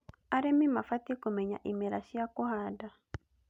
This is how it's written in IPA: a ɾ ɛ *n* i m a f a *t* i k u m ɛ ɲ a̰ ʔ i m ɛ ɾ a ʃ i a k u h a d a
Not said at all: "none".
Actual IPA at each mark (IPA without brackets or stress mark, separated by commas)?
m, t